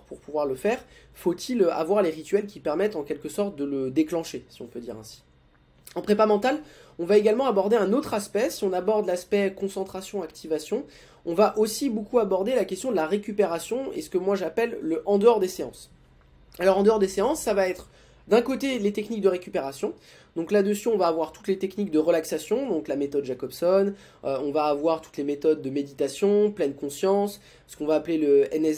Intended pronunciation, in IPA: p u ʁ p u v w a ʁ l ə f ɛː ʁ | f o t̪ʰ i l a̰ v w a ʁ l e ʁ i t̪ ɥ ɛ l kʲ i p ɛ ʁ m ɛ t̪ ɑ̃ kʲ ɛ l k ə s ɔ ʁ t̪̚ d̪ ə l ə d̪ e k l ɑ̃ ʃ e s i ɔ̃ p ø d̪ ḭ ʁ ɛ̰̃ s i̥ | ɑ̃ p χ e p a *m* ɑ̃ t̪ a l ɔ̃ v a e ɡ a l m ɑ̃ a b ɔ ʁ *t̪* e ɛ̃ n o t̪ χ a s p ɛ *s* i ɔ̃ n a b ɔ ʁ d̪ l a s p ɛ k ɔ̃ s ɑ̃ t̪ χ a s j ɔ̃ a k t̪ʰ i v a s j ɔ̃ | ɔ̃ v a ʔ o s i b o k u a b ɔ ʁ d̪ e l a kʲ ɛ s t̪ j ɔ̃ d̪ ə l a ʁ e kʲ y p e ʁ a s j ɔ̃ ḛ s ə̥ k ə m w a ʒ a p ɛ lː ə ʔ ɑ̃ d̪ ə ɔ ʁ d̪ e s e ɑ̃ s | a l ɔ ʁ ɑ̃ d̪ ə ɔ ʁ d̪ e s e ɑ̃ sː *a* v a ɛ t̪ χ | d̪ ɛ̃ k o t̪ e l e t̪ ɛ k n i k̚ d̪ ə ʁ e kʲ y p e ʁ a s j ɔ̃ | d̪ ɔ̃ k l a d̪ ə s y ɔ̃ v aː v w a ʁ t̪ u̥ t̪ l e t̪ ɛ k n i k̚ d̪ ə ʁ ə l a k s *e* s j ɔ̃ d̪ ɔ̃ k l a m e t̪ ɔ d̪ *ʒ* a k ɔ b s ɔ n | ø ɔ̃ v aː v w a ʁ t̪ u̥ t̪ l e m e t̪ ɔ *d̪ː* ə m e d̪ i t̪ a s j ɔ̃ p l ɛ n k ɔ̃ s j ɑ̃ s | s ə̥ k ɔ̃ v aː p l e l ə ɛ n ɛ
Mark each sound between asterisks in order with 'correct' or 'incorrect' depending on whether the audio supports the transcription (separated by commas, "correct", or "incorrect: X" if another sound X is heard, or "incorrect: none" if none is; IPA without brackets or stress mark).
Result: correct, incorrect: d̪, correct, correct, incorrect: a, correct, correct